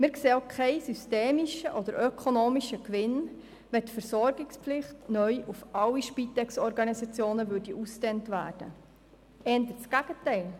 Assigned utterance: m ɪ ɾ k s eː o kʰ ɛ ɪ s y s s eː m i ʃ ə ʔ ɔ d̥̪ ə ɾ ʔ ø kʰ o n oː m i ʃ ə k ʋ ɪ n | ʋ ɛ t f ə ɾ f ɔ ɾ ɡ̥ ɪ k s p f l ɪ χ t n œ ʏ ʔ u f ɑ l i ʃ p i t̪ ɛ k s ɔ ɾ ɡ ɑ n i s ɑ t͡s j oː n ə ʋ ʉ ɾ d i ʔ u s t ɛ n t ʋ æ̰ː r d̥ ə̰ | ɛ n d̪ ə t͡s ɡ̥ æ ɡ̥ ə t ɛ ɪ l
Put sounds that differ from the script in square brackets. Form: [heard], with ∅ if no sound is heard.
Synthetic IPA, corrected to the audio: m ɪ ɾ k s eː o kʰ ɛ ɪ s y s [t] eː m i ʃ ə ʔ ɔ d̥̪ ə ɾ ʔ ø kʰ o n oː m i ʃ ə k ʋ ɪ n | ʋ ɛ t f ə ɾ [s] ɔ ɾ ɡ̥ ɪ k s p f l ɪ χ t n œ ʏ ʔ u f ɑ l i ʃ p i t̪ ɛ k s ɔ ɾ ɡ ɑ n i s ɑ t͡s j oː n ə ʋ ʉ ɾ d i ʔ u s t ɛ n t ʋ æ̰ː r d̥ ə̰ | ɛ n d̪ ə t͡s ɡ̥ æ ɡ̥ ə t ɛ ɪ l